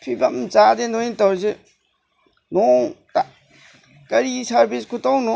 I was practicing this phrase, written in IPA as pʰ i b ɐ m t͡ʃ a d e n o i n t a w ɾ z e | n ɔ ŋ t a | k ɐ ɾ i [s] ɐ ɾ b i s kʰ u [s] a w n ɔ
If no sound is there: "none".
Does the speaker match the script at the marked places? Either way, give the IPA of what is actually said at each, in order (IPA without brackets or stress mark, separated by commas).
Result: s, t